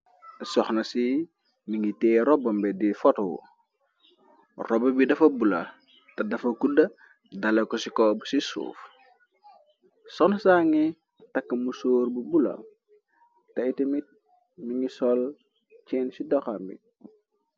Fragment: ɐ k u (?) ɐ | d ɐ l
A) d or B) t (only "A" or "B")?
A